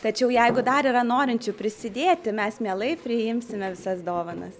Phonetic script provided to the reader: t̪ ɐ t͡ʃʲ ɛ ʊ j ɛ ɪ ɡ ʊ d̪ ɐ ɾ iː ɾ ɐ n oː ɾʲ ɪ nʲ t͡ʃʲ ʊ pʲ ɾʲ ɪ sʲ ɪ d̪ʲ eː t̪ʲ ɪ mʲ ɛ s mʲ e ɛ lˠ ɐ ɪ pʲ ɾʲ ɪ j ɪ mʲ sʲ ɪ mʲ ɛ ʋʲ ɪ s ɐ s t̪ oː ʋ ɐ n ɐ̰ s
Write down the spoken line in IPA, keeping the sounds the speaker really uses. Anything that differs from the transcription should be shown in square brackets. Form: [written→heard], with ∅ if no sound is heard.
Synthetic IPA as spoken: t̪ ɐ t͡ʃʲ ɛ ʊ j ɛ ɪ ɡ ʊ d̪ ɐ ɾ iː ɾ ɐ n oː ɾʲ ɪ nʲ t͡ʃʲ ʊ pʲ ɾʲ ɪ sʲ ɪ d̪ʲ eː t̪ʲ ɪ mʲ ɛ s mʲ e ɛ lˠ ɐ ɪ pʲ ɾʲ ɪ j ɪ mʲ sʲ ɪ mʲ ɛ ʋʲ ɪ s ɐ s [t̪→d̪] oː ʋ ɐ n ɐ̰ s